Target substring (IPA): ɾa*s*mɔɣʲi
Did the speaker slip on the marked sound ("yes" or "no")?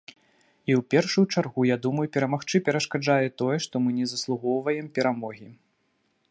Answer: yes